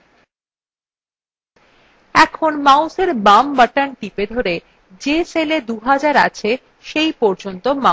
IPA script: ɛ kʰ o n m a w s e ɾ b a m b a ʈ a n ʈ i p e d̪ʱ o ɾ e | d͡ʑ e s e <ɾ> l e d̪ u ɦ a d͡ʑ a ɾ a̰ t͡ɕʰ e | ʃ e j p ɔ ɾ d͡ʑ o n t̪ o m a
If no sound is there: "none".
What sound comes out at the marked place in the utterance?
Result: none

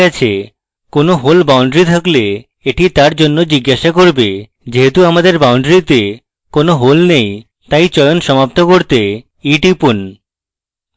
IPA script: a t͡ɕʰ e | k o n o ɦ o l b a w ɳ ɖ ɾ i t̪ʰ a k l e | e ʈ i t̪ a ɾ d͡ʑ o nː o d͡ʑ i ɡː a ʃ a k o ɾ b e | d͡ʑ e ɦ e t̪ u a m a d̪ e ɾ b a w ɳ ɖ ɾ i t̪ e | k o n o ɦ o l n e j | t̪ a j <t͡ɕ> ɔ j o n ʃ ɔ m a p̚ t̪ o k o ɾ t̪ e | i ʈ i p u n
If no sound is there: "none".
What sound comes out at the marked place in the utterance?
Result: t͡ɕ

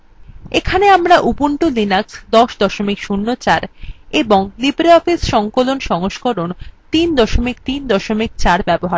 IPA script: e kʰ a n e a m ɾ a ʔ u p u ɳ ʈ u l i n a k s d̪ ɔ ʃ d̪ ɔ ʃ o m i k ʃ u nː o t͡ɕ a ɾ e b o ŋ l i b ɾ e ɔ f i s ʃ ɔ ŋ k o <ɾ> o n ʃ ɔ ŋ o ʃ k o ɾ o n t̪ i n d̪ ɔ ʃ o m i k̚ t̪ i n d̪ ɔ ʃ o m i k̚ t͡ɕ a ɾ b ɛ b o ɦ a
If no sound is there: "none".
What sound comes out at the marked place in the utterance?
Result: l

